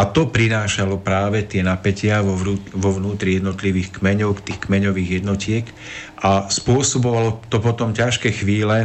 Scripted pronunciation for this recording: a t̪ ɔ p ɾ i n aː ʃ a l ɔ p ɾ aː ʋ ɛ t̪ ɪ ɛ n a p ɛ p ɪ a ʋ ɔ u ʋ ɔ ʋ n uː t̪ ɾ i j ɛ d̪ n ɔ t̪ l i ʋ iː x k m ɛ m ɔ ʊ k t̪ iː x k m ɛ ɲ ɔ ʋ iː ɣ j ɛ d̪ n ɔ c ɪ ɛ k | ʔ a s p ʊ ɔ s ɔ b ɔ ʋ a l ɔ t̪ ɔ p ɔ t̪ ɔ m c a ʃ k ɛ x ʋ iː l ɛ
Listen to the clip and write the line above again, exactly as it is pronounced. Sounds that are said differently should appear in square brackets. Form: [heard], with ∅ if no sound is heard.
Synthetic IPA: a t̪ ɔ p ɾ i n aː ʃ a l ɔ p ɾ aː ʋ ɛ t̪ ɪ ɛ n a p ɛ [c] ɪ a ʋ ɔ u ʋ ɔ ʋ n uː t̪ ɾ i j ɛ d̪ n ɔ t̪ l i ʋ iː x k m ɛ [ɲ] ɔ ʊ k t̪ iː x k m ɛ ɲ ɔ ʋ iː ɣ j ɛ d̪ n ɔ c ɪ ɛ k | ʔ a s p ʊ ɔ s ɔ b ɔ ʋ a l ɔ t̪ ɔ p ɔ t̪ ɔ m c a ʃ k ɛ x ʋ iː l ɛ